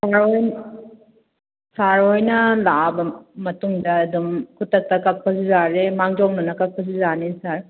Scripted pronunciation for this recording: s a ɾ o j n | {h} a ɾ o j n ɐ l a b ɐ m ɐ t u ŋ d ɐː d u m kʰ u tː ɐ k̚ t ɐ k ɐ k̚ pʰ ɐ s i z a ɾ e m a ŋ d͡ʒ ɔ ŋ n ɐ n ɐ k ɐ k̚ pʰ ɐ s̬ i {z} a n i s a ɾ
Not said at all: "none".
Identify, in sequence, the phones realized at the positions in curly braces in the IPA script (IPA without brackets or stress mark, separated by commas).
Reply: s, z